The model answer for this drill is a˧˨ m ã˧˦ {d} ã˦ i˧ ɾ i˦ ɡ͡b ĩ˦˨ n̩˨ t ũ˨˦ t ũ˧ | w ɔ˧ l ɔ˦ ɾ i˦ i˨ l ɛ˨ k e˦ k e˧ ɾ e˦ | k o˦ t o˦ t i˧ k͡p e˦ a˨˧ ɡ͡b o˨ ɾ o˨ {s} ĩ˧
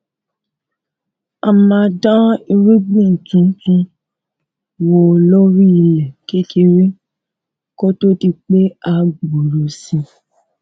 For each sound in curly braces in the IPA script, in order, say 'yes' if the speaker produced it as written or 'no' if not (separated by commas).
yes, yes